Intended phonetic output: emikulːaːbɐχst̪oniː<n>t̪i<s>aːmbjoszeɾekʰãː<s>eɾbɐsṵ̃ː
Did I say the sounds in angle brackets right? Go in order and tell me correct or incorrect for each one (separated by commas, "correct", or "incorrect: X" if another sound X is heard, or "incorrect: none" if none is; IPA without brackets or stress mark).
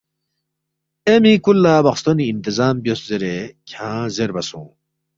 correct, incorrect: z, incorrect: z